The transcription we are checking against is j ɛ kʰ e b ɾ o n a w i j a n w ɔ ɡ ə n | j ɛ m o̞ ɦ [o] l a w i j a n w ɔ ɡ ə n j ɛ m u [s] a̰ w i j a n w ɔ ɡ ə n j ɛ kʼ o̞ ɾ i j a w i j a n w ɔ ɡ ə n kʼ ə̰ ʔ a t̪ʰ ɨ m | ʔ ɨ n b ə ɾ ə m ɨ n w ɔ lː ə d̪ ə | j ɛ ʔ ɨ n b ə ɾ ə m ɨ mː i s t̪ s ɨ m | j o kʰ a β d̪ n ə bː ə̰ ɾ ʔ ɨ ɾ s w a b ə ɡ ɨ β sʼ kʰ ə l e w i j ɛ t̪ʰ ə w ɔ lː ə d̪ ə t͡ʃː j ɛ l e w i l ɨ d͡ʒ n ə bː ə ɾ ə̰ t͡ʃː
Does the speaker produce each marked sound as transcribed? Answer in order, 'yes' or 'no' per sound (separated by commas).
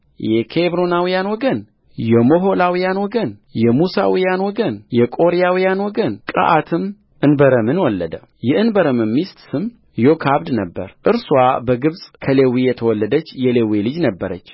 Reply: yes, yes